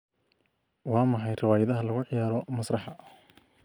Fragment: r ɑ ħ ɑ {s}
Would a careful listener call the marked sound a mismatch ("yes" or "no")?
yes